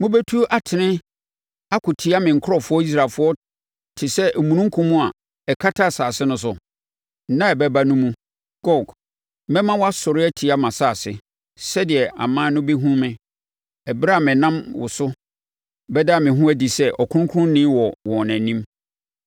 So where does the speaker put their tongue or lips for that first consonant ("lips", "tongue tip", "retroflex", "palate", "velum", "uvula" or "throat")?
lips